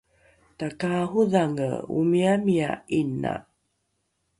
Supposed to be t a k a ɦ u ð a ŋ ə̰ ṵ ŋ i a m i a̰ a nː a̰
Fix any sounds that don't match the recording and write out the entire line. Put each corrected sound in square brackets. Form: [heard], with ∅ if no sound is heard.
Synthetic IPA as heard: t a k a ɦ u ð a ŋ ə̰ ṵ [m] i a m i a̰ [i] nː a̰